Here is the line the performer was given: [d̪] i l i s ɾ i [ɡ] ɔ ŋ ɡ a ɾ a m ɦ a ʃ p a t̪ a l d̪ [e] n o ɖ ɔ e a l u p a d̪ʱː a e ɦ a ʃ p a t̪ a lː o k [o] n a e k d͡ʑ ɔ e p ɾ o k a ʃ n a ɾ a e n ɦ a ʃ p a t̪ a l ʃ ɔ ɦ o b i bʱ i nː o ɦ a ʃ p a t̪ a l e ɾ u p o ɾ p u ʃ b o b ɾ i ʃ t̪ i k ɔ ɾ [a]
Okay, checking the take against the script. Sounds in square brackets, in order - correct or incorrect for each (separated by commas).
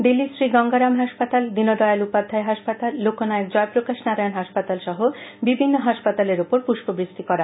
correct, correct, incorrect, correct, correct